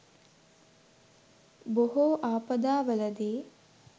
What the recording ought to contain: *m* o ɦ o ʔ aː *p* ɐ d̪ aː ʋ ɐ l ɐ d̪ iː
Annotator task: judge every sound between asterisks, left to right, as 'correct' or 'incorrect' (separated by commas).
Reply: incorrect, correct